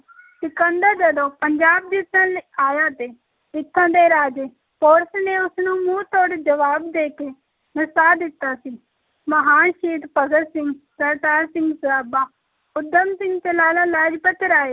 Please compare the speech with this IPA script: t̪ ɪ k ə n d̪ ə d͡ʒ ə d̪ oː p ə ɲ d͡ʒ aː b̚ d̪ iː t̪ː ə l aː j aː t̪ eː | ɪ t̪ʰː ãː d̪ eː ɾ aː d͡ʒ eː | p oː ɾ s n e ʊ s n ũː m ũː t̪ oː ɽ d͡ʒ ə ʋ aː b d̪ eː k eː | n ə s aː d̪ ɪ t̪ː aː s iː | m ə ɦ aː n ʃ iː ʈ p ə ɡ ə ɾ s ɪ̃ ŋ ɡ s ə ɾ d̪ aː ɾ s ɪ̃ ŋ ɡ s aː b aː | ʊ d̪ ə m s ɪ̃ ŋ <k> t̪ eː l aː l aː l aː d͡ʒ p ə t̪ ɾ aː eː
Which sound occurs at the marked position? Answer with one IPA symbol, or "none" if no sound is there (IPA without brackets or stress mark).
ɡ